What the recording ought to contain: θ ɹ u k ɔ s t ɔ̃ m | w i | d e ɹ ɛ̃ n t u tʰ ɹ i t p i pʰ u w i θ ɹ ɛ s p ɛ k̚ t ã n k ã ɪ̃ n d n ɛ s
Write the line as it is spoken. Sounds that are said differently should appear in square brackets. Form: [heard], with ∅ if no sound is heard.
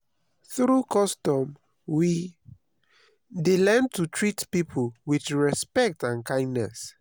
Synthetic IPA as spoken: θ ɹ u k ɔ s t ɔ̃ m | w i | d e [l] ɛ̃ n t u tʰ ɹ i t p i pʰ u w i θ ɹ ɛ s p ɛ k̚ t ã n k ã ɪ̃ n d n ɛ s

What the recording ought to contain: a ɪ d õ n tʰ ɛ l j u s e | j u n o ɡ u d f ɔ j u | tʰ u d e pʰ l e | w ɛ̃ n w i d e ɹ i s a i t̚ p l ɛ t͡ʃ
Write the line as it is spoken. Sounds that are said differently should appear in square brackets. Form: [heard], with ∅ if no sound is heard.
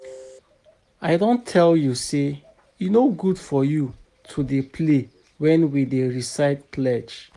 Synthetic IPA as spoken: a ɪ d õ n tʰ ɛ l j u s e | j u n o ɡ u d f ɔ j u | tʰ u d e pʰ l e | w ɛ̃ n w i d e ɹ i s a [ɪ] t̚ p l ɛ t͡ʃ

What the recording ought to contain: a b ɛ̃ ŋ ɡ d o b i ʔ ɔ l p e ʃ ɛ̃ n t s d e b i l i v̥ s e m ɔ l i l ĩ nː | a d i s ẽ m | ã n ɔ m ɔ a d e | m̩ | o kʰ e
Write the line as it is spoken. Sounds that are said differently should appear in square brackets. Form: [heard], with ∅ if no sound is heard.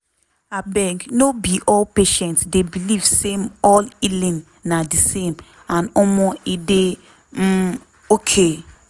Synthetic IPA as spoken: a b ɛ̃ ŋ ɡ [n] o b i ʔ ɔ l p e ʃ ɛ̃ n t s d e b i l i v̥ s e m ɔ l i l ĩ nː | a d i s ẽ m | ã n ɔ m ɔ [i] d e | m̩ | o kʰ e

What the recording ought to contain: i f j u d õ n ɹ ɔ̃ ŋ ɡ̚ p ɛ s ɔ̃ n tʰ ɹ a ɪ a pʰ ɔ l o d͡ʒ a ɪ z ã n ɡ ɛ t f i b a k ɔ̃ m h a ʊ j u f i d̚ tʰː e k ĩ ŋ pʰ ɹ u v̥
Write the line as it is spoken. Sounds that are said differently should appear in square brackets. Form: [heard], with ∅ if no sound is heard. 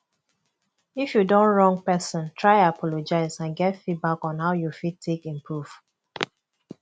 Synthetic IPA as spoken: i f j u d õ n ɹ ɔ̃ ŋ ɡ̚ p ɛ s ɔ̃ n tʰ ɹ a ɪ a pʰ ɔ l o d͡ʒ a ɪ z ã n ɡ ɛ t f i b a k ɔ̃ [n] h a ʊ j u f i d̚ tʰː e k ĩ [m] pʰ ɹ u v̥

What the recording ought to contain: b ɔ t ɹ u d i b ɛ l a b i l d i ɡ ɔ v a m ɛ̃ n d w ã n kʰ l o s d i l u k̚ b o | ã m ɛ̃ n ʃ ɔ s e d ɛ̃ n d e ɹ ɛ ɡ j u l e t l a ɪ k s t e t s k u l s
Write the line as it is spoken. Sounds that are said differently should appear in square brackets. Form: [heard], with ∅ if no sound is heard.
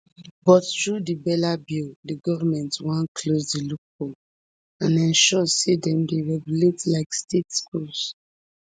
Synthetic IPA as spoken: b ɔ t ɹ u d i b ɛ l a b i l d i ɡ ɔ v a m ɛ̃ n [t] w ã n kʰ l o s d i l u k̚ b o | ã [n] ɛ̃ n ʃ ɔ s e d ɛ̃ [m] d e ɹ ɛ ɡ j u l e t l a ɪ k s t e t s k u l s

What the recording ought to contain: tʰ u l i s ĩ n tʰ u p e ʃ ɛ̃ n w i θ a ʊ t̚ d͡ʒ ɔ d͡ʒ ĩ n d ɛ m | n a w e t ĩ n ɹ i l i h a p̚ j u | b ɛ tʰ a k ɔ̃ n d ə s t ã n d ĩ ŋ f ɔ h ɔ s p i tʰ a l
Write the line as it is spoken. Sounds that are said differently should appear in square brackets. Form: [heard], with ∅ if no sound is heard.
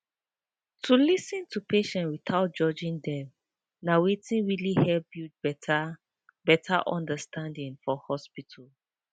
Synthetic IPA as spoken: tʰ u l i s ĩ n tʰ u p e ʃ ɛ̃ n w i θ a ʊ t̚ d͡ʒ ɔ d͡ʒ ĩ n d ɛ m | n a w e t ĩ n ɹ i l i h [ɛ] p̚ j u | b ɛ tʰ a [ʔ] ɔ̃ n d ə s t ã n d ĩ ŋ f ɔ h ɔ s p i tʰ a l

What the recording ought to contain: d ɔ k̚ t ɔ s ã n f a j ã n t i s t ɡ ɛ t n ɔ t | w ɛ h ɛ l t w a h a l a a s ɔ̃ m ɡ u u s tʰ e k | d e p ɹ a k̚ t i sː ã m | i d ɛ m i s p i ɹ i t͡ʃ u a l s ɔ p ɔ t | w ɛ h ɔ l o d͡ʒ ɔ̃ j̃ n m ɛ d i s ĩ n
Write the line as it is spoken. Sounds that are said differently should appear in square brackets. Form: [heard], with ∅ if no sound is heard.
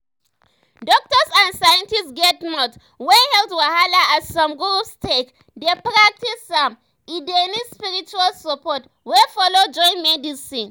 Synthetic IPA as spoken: d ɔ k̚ t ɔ s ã n [s] a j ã n t i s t ɡ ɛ t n ɔ t | w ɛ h ɛ l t w a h a l a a s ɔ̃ m ɡ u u s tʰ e k | d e p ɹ a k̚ t i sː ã m | i d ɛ [n] i s p i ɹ i t͡ʃ u a l s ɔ p ɔ t | w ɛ [f] ɔ l o d͡ʒ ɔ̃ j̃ n m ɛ d i s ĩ n

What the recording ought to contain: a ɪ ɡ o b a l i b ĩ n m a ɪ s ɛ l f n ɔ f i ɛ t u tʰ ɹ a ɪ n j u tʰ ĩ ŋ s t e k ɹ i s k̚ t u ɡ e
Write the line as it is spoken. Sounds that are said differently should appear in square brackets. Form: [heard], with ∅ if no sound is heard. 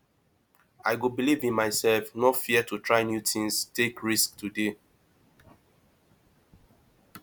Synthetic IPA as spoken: a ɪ ɡ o b [i] l i [v] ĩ n m a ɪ s ɛ l f n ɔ f i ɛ t u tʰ ɹ a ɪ n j u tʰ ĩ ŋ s t e k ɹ i s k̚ t u [d] e

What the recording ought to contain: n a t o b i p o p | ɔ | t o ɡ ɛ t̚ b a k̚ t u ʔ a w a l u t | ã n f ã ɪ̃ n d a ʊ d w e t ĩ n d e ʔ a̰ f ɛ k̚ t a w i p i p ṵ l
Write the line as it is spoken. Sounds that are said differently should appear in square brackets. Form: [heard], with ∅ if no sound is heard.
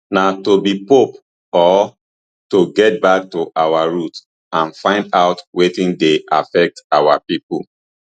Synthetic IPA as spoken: n a t o b i p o p | ɔ | t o ɡ ɛ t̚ b a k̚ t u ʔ a w a [ɹ] u t | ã n f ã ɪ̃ n d a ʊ [t] w e t ĩ n d e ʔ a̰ f ɛ k̚ t a w [a] p i p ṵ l

